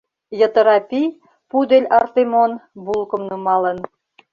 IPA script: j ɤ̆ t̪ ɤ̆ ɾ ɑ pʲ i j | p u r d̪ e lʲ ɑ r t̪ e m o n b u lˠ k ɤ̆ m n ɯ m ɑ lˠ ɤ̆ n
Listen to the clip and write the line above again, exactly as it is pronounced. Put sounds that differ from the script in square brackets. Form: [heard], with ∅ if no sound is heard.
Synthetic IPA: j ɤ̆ t̪ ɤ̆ ɾ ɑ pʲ i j | p u [∅] d̪ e lʲ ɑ r t̪ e m o n b u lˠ k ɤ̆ m n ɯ m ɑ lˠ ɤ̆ n

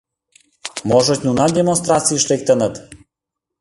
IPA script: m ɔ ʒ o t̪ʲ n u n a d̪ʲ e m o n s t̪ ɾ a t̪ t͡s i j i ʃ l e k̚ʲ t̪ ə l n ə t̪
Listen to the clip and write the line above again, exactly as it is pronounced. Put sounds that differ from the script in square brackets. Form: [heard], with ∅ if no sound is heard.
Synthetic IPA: m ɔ ʒ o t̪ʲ n u n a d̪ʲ e m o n s t̪ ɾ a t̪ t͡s i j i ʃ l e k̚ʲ t̪ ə [∅] n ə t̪

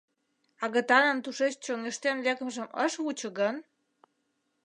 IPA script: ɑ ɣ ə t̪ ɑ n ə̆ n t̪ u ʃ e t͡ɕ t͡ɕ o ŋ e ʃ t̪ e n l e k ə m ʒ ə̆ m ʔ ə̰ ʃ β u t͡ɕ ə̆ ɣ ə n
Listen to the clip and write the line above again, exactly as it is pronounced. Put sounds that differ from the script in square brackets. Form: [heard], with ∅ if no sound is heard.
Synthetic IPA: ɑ ɣ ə t̪ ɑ n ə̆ n t̪ u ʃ e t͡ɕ t͡ɕ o ŋ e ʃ t̪ e n l e k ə m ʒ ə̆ m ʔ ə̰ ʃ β u t͡ɕ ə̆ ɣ ə n

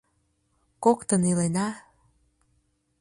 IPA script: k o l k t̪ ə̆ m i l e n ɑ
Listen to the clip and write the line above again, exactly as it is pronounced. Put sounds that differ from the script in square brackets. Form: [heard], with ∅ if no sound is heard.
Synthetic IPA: k o [∅] k t̪ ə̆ [n] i l e n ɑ

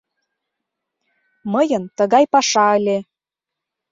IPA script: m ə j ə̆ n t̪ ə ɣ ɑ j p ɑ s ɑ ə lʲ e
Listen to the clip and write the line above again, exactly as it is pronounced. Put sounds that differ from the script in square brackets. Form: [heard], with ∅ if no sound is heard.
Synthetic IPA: m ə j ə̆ n t̪ ə ɣ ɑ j p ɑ [ʃ] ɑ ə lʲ e

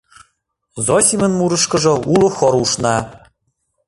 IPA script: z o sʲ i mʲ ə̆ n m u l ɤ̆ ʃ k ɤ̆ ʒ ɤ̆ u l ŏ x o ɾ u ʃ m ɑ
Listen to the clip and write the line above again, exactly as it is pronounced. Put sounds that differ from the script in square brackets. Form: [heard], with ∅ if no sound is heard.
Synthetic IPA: z o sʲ i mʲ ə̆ n m u [ɾ] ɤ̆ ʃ k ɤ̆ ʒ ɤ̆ u l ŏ x o ɾ u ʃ [n] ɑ

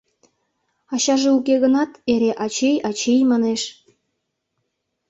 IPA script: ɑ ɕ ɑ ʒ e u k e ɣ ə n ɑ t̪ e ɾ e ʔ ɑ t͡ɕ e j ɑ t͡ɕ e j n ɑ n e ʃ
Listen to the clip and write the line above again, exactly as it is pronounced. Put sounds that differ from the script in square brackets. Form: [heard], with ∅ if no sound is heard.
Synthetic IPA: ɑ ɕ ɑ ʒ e u k e ɣ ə n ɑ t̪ e ɾ e ʔ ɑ t͡ɕ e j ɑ t͡ɕ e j [m] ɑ n e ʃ

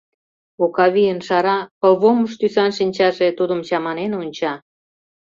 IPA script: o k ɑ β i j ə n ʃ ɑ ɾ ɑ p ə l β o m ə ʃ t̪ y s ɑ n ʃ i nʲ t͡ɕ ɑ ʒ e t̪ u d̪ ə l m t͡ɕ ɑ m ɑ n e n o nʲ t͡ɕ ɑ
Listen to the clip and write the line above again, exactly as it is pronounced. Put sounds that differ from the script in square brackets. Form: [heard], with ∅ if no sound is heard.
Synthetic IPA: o k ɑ β i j ə n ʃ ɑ ɾ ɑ p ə l β o m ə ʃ t̪ y s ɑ n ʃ i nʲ t͡ɕ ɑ ʒ e t̪ u d̪ ə [∅] m t͡ɕ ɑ m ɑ n e n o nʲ t͡ɕ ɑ

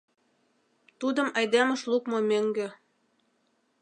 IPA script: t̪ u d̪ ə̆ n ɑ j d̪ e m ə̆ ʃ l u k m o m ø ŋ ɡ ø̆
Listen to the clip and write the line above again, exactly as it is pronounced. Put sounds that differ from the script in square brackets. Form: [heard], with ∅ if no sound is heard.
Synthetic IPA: t̪ u d̪ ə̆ [m] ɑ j d̪ e m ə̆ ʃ l u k m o m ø ŋ ɡ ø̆

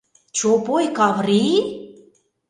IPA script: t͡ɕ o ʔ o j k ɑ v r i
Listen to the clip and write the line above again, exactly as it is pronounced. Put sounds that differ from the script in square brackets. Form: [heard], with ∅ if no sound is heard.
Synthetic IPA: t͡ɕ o [p] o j k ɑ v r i

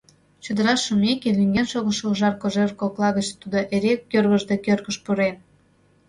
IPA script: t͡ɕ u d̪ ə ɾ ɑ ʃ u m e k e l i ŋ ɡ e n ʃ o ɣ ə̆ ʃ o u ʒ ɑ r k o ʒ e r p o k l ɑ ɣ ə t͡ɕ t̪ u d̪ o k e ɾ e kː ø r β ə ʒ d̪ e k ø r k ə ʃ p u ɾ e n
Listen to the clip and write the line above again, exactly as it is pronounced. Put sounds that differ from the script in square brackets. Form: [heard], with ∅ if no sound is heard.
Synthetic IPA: t͡ɕ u d̪ ə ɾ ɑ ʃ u m e k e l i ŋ ɡ e n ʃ o ɣ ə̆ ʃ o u ʒ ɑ r k o ʒ e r [k] o k l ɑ ɣ ə t͡ɕ t̪ u d̪ o [ʔ] e ɾ e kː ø r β ə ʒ d̪ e k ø r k ə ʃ p u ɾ e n

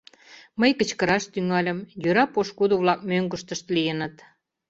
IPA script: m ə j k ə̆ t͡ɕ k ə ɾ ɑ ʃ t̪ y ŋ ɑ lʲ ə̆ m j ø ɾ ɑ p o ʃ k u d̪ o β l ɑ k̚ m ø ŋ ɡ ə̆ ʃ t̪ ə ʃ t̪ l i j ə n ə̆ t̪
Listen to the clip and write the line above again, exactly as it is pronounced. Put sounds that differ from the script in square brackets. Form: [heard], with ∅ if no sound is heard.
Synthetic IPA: m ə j k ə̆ t͡ɕ k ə ɾ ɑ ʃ t̪ y ŋ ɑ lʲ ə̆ m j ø ɾ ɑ p o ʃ k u d̪ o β l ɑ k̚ m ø ŋ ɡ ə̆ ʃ t̪ ə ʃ t̪ l i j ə n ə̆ t̪

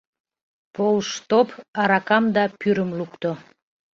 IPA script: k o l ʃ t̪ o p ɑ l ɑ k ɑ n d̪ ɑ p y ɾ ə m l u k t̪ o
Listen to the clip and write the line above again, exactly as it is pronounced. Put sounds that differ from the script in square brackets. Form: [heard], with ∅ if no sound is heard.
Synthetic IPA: [p] o l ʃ t̪ o p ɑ [ɾ] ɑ k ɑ [m] d̪ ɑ p y ɾ ə m l u k t̪ o

